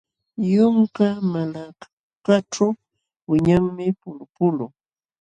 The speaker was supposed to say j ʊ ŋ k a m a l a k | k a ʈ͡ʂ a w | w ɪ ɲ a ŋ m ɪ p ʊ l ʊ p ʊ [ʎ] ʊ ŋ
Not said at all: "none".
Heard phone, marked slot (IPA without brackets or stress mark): l